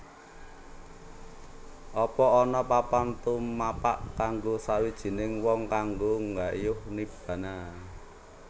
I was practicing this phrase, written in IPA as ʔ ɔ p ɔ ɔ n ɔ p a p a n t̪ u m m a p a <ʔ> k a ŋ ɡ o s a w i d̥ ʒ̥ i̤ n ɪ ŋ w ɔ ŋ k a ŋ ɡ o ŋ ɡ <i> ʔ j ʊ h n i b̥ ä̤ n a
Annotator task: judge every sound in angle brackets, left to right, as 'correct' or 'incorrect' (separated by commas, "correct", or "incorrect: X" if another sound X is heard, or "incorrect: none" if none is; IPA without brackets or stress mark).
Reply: correct, incorrect: a